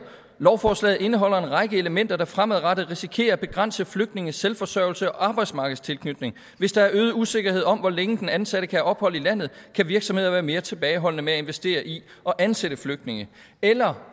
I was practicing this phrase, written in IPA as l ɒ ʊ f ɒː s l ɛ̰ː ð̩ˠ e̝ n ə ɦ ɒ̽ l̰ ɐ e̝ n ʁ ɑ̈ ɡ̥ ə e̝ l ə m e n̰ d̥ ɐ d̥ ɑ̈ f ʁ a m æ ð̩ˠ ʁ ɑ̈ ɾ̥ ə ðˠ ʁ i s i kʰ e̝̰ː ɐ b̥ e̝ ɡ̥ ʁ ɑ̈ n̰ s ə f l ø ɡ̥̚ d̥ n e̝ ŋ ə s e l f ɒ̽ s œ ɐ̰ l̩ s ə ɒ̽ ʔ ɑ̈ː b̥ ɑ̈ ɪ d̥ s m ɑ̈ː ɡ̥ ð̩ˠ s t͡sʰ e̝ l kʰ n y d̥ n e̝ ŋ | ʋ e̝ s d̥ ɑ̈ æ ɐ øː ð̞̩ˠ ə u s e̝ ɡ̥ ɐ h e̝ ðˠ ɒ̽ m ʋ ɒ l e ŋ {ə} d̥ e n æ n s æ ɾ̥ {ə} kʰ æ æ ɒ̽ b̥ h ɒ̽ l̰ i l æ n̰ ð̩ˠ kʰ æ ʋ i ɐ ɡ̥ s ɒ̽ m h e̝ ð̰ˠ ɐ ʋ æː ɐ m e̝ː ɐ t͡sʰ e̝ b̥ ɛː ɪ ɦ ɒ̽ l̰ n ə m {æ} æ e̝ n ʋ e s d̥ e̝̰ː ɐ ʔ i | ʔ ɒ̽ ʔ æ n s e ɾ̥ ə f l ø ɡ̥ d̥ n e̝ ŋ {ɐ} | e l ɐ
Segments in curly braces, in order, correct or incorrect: correct, correct, incorrect: e, incorrect: ə

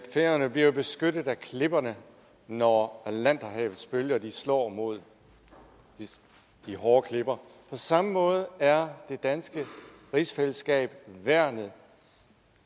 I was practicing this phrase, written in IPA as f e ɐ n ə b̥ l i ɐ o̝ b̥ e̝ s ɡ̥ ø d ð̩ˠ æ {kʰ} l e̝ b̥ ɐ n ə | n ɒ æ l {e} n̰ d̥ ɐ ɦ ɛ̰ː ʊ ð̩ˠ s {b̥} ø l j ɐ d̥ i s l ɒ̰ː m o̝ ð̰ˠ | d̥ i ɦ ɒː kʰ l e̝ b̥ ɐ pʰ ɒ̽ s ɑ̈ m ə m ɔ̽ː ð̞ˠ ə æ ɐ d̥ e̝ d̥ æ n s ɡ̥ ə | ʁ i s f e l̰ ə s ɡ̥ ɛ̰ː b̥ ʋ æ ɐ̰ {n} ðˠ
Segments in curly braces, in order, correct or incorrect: correct, incorrect: æ, correct, correct

